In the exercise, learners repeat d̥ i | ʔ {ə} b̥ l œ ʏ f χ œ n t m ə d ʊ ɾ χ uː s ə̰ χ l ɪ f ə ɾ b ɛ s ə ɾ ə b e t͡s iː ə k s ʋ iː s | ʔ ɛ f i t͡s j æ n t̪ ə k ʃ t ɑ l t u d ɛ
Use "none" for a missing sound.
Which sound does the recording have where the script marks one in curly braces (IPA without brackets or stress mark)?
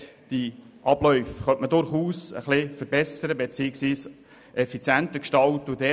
ɑ